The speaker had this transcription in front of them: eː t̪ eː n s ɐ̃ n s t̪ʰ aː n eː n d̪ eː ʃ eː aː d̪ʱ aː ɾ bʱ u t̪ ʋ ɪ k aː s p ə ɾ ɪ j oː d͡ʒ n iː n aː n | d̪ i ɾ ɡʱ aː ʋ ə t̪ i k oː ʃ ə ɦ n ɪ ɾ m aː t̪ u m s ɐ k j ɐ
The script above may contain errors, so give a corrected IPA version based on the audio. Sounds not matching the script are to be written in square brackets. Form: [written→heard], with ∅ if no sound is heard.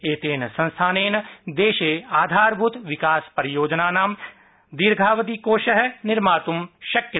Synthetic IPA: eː t̪ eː n s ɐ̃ n s t̪ʰ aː n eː n d̪ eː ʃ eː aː d̪ʱ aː ɾ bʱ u t̪ ʋ ɪ k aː s p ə ɾ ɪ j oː d͡ʒ n [iː→aː] n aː [n→m] | d̪ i ɾ ɡʱ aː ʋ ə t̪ i k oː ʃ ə ɦ n ɪ ɾ m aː t̪ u m [s→ʃ] ɐ k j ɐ